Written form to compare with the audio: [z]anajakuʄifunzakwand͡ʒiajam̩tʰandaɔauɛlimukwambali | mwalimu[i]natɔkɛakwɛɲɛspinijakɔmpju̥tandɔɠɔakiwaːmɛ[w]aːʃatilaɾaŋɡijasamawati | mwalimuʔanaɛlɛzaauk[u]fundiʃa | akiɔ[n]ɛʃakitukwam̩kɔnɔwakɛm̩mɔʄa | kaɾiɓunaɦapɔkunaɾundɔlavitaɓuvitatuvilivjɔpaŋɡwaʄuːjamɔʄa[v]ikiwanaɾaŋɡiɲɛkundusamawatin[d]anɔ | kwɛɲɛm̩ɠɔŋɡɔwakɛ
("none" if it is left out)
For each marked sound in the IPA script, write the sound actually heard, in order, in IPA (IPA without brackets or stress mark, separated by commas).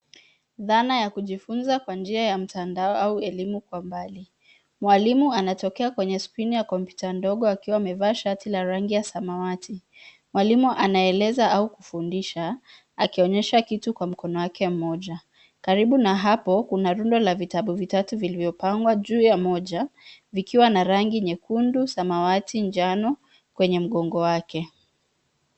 ð, a, v, u, ɲ, v, d͡ʒ